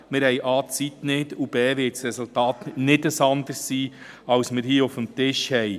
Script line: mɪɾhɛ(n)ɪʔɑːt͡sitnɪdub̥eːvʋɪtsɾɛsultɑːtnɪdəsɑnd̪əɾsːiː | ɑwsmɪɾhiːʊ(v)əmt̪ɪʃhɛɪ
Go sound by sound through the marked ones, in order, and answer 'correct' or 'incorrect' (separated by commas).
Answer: incorrect, incorrect